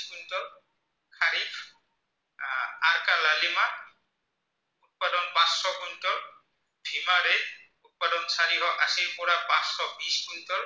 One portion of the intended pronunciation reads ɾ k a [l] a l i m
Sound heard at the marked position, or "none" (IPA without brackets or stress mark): l